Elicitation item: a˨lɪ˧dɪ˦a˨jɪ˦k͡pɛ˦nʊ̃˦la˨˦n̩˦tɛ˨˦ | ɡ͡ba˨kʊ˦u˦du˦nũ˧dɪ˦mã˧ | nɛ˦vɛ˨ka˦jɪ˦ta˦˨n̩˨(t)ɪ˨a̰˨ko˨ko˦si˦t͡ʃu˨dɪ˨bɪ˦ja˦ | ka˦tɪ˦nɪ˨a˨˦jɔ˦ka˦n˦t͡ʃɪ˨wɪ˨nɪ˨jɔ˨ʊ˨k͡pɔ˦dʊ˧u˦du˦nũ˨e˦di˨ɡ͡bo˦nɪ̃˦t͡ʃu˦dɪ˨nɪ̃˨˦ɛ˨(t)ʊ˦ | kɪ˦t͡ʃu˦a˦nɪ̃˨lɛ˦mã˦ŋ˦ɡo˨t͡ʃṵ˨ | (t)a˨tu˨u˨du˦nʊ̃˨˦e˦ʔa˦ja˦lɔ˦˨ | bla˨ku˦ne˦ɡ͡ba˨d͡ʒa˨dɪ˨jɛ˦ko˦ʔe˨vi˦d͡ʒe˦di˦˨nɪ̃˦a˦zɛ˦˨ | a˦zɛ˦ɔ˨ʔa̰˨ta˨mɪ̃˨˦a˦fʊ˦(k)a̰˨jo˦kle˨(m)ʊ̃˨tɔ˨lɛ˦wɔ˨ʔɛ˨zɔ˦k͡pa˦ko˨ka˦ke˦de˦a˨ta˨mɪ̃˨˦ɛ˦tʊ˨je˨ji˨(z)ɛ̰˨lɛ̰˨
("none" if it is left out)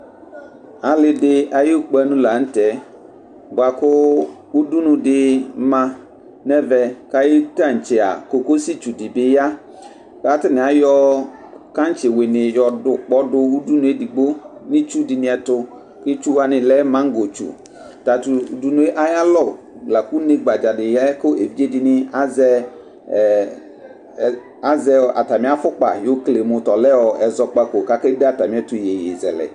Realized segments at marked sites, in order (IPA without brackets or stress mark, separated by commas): t͡ʃ, t, t, k͡p, m, z